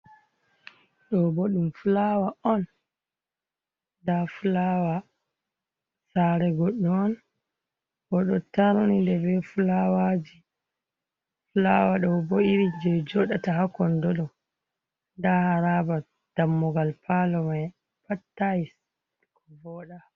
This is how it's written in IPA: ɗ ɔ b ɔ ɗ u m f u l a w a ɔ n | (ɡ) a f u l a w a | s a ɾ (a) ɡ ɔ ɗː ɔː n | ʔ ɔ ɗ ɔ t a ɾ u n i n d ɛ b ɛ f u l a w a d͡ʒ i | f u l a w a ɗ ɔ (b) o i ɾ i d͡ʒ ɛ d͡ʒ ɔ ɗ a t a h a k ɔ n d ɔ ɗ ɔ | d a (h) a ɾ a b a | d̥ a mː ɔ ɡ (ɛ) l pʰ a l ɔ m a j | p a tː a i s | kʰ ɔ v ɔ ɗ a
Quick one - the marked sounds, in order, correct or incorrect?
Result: incorrect, incorrect, correct, correct, incorrect

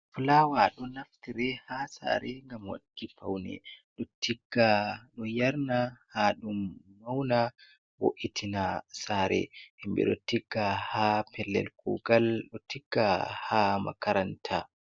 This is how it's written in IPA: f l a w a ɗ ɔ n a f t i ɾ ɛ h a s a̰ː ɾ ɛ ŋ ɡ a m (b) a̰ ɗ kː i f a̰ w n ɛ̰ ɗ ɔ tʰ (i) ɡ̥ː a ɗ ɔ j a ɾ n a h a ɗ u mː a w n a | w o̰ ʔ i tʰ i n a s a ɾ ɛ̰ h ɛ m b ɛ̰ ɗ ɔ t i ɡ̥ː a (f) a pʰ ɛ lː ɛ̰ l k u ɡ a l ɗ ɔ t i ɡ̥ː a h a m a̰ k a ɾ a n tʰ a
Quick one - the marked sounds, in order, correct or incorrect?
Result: incorrect, correct, incorrect

